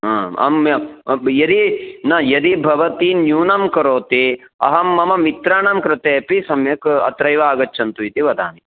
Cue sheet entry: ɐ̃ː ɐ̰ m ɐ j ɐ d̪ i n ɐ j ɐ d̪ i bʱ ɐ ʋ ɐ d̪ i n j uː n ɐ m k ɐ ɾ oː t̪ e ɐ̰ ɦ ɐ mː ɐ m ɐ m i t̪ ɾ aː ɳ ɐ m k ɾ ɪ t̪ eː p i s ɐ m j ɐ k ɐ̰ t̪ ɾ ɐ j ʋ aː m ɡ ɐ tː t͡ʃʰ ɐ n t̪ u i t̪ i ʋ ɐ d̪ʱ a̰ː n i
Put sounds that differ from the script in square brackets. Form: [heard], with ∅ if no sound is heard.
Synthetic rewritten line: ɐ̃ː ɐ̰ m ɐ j ɐ d̪ i n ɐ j ɐ d̪ i bʱ ɐ ʋ ɐ [t̪] i n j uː n ɐ m k ɐ ɾ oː t̪ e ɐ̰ ɦ ɐ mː ɐ m ɐ m i t̪ ɾ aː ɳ ɐ m k ɾ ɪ t̪ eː p i s ɐ m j ɐ k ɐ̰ t̪ ɾ ɐ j ʋ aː [∅] ɡ ɐ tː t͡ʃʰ ɐ n t̪ u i t̪ i ʋ ɐ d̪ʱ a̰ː n i